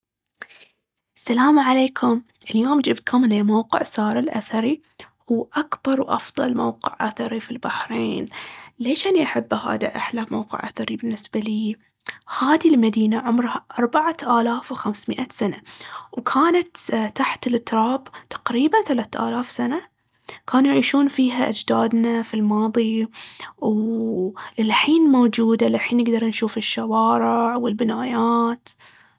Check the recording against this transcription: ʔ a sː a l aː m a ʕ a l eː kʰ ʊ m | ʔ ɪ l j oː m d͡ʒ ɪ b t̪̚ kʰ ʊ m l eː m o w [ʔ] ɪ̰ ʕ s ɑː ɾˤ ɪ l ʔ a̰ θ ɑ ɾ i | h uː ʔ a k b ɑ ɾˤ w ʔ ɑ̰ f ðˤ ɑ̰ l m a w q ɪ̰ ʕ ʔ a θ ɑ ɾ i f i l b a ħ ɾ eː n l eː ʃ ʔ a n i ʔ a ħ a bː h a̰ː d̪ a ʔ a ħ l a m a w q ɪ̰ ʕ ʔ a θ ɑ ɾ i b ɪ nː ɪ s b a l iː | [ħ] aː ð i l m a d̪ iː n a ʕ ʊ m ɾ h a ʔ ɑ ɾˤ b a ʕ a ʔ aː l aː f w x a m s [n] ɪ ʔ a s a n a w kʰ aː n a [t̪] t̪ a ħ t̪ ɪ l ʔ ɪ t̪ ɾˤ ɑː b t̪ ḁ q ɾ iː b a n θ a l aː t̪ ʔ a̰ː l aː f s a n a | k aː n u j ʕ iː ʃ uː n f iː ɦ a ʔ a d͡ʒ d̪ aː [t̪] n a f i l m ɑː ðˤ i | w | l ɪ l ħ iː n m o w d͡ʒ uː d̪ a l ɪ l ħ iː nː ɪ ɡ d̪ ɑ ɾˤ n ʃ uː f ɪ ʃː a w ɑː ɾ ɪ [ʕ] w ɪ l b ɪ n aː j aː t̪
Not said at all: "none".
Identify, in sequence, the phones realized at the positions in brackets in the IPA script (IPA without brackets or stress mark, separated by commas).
q, h, m, t̪, d̪, ʕ